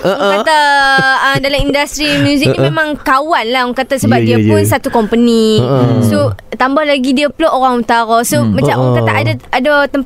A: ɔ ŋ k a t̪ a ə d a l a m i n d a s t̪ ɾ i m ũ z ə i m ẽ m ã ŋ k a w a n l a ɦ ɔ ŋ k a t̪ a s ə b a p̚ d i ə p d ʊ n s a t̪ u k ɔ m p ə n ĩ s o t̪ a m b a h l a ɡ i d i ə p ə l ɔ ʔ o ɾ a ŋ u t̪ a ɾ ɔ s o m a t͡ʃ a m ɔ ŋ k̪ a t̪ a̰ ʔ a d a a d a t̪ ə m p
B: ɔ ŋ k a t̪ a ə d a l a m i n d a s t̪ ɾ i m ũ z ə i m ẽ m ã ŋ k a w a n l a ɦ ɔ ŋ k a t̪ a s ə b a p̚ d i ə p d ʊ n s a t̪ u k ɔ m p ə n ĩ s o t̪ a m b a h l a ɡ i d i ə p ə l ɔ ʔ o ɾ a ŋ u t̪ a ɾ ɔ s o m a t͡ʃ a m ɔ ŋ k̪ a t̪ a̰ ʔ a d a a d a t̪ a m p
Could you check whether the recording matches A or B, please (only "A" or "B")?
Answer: A